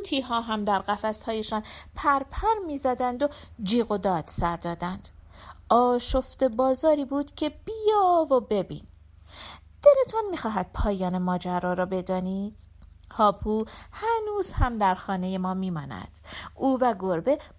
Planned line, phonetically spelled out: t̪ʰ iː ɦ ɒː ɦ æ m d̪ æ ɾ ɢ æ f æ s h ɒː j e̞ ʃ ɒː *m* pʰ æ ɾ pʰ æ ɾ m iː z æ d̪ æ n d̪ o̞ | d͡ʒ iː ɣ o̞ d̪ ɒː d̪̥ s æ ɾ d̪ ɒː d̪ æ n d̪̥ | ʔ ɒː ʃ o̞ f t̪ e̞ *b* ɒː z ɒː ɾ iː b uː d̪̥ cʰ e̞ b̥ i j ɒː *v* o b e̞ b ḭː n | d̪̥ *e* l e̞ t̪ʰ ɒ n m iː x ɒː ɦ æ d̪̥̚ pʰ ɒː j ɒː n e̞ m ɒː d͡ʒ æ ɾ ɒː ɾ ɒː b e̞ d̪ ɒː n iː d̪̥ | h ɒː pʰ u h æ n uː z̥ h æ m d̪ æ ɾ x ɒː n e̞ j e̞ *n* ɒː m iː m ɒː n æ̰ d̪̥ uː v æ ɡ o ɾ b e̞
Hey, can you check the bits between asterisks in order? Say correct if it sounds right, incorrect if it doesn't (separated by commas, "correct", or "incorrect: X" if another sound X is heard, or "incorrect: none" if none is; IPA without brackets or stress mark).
incorrect: n, correct, correct, correct, incorrect: m